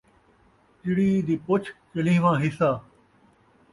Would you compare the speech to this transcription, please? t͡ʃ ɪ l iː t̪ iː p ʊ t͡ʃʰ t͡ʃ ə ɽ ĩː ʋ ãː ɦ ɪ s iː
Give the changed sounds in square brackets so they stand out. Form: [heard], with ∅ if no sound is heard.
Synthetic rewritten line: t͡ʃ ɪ [ɽ] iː [d̪] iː p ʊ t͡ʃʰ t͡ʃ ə [l] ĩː ʋ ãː ɦ ɪ s [aː]